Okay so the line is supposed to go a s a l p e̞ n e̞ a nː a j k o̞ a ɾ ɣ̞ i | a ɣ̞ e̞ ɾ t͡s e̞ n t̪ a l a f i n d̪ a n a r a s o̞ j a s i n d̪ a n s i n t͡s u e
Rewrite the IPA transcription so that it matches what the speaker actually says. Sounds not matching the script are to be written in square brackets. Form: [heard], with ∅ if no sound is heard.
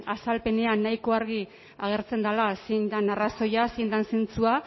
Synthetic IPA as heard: a s a l p e̞ n e̞ a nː a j k o̞ a ɾ ɣ̞ i | a ɣ̞ e̞ ɾ t͡s e̞ n [d̪] a l a [s] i n d̪ a n a r a s o̞ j a s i n d̪ a n s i n t͡s u [a]